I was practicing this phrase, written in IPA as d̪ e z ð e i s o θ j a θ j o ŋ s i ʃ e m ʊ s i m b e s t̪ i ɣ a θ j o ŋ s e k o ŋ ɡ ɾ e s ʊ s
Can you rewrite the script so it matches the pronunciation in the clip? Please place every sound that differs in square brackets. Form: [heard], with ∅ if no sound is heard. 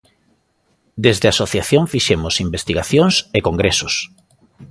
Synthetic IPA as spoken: d̪ e z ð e [a] s o θ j a θ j o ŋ [f] i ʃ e m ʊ s i m b e s t̪ i ɣ a θ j o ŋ s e k o ŋ ɡ ɾ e s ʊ s